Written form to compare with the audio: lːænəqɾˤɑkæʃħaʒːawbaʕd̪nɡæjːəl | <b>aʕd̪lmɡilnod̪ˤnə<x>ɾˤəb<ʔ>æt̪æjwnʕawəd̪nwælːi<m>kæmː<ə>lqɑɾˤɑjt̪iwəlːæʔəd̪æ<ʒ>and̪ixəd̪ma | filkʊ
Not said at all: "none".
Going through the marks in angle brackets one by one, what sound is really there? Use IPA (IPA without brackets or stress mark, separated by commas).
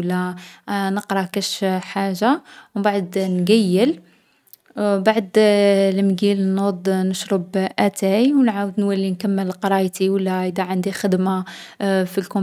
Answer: b, ʃ, ʔ, n, ə, ʕ